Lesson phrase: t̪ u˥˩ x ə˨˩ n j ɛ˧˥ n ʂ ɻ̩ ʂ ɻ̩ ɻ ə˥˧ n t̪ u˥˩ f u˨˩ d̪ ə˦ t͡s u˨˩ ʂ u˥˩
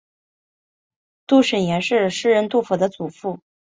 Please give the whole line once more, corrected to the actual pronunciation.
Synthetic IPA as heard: t̪ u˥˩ ʂ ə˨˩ n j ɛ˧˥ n ʂ ɻ̩ ʂ ɻ̩ ɻ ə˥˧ n t̪ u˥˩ f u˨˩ d̪ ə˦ t͡s u˨˩ f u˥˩